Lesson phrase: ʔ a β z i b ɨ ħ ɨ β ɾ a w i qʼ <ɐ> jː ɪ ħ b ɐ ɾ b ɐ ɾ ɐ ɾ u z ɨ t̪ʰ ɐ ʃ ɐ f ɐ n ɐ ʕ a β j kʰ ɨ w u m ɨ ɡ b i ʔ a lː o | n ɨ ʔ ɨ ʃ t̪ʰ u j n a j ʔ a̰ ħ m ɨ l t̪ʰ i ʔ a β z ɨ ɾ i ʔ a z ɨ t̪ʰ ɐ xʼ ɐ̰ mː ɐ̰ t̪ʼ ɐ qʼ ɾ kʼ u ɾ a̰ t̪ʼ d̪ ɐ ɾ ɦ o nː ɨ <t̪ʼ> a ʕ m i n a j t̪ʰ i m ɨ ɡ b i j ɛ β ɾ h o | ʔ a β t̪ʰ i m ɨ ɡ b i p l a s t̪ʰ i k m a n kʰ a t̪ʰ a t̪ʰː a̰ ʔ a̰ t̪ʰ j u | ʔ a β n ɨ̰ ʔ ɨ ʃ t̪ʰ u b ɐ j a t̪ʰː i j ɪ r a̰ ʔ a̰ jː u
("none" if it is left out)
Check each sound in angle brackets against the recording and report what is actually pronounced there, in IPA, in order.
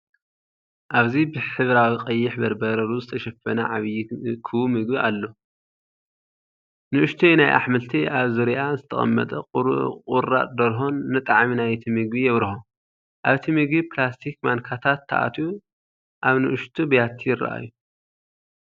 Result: ɐ, t̪ʼ

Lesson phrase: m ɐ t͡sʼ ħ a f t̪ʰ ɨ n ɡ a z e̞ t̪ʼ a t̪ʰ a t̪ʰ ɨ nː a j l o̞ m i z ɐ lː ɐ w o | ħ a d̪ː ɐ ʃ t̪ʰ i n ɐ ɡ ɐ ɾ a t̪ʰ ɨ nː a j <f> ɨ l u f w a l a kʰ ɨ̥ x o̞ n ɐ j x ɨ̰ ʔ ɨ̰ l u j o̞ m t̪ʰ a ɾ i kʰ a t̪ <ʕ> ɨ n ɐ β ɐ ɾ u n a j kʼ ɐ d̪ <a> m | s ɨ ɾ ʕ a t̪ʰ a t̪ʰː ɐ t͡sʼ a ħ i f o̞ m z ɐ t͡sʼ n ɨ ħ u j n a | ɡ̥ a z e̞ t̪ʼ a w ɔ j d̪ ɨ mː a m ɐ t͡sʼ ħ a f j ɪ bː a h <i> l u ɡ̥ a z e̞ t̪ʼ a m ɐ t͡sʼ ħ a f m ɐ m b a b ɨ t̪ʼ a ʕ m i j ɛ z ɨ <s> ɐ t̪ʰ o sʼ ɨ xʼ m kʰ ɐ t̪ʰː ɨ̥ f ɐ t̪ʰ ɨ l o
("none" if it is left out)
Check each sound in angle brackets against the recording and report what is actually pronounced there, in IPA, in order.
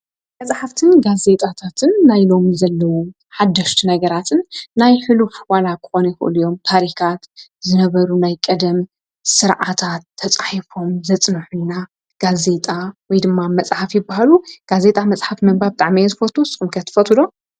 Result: ħ, z, ɐ, a, f

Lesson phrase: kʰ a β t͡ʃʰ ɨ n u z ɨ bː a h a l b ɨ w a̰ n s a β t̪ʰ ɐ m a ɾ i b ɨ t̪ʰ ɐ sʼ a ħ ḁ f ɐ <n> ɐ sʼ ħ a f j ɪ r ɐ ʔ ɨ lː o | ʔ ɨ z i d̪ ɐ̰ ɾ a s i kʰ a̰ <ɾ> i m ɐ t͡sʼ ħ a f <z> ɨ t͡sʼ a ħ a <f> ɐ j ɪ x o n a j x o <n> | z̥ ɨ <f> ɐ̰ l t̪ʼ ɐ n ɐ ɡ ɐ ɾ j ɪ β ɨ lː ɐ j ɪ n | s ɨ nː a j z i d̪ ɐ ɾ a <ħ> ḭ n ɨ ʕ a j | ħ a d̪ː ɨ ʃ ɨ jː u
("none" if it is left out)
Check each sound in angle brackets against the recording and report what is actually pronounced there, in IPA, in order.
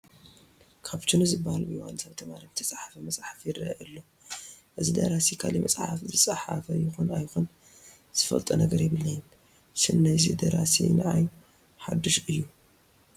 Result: m, l, z, f, n, f, s

